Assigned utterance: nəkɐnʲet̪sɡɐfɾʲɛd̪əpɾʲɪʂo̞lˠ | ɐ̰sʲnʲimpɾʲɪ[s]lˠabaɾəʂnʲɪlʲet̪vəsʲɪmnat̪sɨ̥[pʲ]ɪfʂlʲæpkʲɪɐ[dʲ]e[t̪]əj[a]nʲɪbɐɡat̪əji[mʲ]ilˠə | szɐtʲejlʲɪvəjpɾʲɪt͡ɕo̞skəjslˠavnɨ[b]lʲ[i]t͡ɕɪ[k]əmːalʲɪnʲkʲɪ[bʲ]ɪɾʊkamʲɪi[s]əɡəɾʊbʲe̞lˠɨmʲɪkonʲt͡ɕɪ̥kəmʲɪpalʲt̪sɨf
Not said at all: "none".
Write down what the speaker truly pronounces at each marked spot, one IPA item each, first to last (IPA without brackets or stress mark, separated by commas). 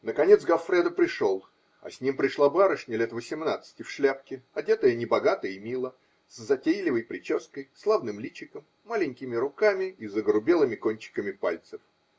ʂ, tʲ, dʲ, t̪, ə, mʲ, m, i, k, mʲ, z